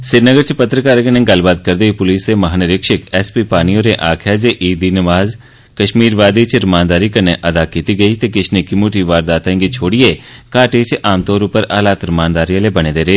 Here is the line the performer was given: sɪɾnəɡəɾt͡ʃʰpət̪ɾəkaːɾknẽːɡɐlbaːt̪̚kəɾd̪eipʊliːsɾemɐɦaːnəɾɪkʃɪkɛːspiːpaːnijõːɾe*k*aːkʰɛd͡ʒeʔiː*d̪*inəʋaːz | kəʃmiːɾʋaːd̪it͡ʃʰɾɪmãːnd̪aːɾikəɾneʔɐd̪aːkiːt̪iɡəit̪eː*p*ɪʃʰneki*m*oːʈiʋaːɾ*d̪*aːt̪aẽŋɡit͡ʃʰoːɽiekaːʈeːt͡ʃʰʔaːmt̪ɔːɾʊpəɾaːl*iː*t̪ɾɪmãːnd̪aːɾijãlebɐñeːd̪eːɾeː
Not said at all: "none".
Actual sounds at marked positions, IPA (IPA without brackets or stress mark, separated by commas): ʔ, d̪, k, m, d̪, aː